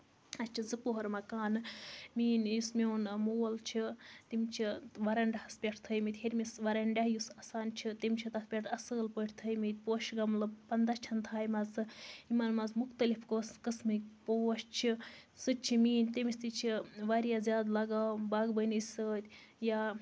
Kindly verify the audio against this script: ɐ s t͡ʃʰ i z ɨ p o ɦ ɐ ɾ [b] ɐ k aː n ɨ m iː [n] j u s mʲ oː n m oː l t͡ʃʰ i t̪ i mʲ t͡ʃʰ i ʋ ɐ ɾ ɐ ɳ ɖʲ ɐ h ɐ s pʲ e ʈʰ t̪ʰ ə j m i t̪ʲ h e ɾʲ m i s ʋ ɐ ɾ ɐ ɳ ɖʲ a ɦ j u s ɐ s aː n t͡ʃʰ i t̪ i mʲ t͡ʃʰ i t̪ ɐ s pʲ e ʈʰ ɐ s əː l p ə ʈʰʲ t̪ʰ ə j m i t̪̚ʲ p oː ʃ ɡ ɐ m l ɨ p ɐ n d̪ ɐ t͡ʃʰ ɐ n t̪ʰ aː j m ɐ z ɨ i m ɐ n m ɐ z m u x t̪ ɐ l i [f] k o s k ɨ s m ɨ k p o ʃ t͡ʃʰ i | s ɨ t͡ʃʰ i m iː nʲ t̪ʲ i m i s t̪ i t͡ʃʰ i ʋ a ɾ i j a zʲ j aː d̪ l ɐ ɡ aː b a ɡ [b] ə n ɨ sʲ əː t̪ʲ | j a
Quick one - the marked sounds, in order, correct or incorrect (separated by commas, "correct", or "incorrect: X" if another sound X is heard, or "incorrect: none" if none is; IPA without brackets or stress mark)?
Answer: incorrect: m, correct, correct, correct